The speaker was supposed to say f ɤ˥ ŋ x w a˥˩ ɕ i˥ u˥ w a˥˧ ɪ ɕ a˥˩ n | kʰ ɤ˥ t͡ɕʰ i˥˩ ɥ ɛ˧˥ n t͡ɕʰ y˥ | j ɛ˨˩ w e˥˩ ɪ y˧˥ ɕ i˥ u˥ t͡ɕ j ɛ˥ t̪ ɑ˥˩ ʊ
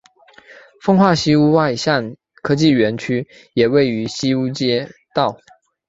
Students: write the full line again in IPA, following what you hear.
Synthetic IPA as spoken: f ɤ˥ ŋ x w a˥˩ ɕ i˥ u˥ w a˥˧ ɪ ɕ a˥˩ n | kʰ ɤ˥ t͡ɕ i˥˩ ɥ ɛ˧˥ n t͡ɕʰ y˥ | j ɛ˨˩ w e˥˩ ɪ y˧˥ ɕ i˥ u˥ t͡ɕ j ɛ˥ t̪ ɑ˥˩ ʊ